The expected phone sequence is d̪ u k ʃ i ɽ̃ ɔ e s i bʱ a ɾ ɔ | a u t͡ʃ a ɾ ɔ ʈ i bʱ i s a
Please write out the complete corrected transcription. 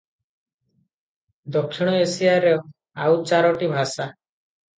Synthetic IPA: d̪ ɔ k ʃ i ɽ̃ ɔ e s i a ɾ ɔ | a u t͡ʃ a ɾ ɔ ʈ i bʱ a s a